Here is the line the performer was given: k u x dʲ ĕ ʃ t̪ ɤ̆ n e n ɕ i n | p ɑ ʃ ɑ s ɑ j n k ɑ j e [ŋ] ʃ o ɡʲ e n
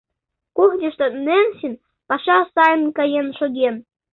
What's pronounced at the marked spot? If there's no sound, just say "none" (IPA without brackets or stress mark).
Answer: n